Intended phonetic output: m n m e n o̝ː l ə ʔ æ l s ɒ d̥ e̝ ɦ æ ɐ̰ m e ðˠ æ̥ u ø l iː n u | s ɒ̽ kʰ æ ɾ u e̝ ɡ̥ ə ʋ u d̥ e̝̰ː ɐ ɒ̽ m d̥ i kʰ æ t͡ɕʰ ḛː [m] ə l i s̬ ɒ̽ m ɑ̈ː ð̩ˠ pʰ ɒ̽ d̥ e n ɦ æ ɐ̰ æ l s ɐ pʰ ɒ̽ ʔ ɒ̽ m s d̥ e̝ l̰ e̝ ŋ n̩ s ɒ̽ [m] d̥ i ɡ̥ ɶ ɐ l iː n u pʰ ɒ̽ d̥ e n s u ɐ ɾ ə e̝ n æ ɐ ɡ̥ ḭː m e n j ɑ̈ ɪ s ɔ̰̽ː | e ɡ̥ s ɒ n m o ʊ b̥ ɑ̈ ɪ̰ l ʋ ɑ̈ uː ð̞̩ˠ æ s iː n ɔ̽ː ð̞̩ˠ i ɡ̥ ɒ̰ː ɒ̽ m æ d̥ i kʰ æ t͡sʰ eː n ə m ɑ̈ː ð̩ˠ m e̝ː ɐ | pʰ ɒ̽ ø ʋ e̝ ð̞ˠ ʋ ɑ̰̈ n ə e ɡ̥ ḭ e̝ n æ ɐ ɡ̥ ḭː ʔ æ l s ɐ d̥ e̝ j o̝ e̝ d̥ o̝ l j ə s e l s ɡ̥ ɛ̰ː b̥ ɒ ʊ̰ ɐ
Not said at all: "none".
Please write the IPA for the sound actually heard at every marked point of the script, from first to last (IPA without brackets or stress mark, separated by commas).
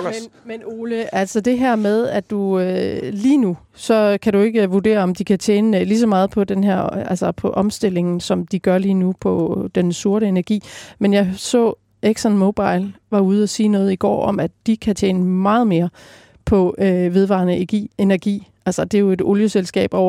n, m